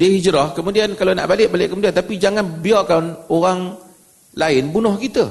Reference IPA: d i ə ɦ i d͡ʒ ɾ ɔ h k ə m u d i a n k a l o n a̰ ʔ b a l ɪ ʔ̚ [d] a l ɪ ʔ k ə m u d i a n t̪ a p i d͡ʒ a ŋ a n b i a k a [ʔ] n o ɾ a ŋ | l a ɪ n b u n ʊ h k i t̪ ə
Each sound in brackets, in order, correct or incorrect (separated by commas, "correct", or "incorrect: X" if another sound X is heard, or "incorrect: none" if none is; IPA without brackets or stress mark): incorrect: b, incorrect: none